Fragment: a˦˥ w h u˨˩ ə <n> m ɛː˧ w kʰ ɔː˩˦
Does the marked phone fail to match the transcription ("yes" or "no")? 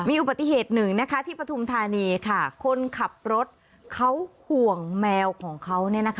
yes